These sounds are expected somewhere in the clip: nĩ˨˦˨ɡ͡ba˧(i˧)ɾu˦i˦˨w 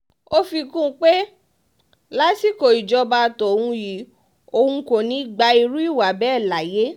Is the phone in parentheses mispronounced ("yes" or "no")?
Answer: no